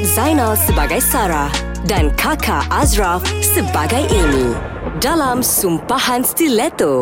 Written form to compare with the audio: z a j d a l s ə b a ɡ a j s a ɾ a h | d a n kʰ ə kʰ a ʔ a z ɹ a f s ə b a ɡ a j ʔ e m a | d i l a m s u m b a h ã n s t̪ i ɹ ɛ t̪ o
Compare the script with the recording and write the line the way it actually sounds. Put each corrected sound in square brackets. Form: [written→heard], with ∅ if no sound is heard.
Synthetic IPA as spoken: z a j [d→n] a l s ə b a ɡ a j s a ɾ a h | d a n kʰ [ə→a] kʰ a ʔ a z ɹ a f s ə b a ɡ a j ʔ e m [a→i] | d [i→a] l a m s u m [b→p] a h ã n s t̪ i [ɹ→l] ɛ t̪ o